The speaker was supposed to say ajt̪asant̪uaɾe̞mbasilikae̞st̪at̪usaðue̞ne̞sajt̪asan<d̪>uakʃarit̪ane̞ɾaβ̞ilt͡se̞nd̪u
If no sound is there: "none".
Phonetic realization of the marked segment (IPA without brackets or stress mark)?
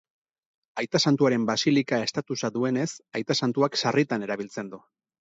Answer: t̪